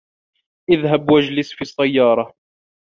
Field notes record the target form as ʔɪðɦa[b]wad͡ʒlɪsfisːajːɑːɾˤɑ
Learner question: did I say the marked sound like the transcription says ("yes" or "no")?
yes